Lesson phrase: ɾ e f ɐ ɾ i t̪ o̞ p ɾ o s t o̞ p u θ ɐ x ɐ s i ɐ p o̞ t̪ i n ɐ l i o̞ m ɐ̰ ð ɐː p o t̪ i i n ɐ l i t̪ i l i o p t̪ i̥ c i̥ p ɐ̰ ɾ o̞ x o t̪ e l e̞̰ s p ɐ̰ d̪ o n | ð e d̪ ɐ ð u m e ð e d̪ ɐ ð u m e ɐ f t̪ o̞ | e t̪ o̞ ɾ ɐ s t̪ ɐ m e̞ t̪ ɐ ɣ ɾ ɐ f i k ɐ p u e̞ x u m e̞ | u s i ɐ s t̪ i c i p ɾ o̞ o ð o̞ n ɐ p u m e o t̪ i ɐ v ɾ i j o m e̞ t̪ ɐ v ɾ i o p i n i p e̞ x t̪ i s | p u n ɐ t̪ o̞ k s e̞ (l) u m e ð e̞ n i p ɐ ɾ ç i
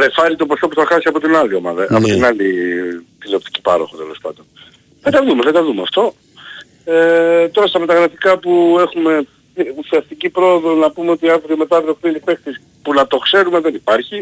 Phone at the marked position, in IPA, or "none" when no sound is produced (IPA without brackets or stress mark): ɾ